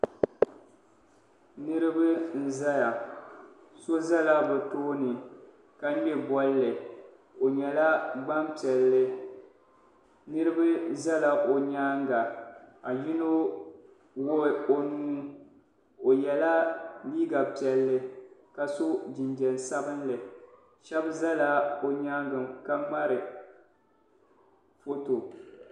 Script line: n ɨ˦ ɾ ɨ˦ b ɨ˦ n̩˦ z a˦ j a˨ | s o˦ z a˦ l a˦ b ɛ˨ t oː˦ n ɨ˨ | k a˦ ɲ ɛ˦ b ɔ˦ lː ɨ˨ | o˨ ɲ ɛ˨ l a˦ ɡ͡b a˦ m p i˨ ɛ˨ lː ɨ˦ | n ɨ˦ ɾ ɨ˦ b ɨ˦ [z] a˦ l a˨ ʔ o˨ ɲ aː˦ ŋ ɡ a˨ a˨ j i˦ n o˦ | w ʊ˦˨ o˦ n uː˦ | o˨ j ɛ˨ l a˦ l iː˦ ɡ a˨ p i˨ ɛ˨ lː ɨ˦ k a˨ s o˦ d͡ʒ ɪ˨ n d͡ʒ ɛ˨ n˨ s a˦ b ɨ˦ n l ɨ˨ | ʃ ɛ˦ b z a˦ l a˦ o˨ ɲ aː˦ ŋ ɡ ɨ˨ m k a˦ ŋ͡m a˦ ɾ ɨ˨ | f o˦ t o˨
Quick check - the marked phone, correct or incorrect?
correct